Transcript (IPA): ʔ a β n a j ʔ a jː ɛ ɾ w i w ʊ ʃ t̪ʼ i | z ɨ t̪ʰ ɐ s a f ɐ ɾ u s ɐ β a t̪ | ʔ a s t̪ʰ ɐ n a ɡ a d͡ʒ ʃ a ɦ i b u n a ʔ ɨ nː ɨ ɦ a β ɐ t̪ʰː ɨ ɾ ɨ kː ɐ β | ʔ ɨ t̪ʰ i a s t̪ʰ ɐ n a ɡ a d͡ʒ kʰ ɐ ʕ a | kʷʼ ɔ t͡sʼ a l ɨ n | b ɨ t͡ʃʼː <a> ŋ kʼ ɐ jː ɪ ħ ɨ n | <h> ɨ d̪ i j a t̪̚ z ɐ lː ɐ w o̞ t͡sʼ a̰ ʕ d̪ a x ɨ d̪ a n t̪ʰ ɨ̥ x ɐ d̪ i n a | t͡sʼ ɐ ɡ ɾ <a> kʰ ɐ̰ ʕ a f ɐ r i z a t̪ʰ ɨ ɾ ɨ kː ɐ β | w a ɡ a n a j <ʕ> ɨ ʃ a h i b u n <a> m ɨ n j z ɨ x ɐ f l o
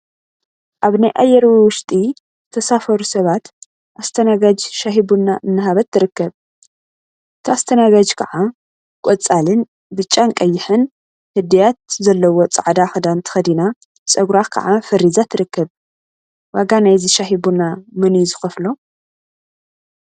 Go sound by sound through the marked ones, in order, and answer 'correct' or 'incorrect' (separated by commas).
correct, correct, correct, incorrect, correct